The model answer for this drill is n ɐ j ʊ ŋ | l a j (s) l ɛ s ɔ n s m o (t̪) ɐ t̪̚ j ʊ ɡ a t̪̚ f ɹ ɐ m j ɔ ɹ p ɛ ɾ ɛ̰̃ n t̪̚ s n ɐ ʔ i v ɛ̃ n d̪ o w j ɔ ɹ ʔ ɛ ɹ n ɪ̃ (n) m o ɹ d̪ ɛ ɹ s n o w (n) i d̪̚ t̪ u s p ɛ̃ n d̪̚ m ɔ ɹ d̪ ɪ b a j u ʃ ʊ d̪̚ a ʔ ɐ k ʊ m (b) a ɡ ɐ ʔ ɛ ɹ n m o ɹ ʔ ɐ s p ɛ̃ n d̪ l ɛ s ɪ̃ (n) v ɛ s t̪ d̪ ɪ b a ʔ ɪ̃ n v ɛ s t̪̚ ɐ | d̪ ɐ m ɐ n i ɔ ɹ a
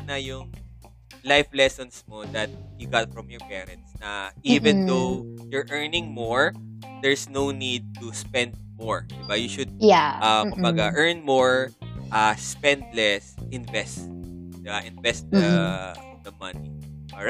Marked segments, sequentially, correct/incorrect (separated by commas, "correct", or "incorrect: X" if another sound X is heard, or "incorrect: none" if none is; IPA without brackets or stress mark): incorrect: f, incorrect: d̪, incorrect: ŋ, correct, correct, correct